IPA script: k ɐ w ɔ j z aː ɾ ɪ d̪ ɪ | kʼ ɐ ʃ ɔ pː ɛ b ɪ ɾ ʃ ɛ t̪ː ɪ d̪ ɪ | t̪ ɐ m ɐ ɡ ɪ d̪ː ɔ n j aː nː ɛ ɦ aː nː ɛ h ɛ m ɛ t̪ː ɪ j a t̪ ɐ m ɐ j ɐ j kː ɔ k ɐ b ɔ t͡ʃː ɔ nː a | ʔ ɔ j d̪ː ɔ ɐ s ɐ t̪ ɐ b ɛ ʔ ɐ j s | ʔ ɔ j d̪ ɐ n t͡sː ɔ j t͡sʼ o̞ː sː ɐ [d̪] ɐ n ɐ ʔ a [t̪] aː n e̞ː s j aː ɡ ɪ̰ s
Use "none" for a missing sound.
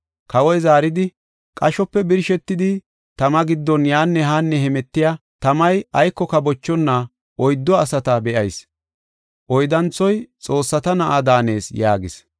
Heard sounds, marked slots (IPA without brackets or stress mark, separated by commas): t̪, d̪